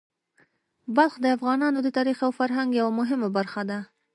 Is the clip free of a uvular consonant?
yes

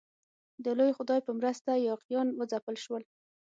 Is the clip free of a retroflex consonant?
yes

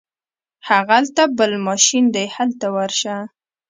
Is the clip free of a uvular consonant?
yes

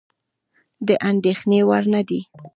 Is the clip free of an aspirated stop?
yes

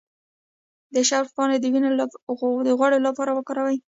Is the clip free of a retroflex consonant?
no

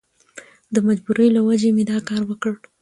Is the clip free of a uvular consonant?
yes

